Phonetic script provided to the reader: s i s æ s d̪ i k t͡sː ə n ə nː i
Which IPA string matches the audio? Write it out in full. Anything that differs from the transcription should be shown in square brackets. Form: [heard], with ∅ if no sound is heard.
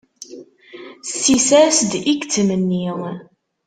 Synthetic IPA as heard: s i s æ s d̪ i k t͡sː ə [m] ə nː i